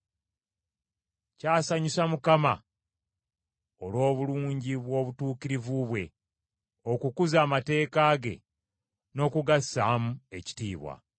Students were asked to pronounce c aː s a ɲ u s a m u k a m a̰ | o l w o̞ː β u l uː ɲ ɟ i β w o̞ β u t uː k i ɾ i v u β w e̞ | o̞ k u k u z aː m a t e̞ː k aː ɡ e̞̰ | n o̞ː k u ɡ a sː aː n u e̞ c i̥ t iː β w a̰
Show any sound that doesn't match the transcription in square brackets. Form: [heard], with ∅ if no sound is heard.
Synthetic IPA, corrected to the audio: c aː s a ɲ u s a m u k a m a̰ | o l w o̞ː β u l uː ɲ ɟ i β w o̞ β u t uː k i ɾ i v u β w e̞ | o̞ k u k u z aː m a t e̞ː k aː ɡ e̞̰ | n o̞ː k u ɡ a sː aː [m] u e̞ c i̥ t iː β w a̰